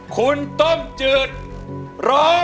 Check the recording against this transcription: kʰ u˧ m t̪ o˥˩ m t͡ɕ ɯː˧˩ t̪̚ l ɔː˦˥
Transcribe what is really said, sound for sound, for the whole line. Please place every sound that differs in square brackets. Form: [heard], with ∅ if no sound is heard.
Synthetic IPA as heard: kʰ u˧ [n] t̪ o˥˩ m t͡ɕ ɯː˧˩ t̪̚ [ɾ] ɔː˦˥